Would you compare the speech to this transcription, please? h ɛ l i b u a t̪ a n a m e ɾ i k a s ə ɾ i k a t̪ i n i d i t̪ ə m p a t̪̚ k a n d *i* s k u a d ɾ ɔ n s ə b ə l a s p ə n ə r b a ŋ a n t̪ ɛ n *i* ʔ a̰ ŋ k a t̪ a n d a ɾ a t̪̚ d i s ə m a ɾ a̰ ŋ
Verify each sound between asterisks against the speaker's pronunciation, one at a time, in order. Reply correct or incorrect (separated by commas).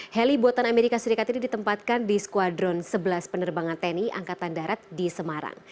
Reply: correct, correct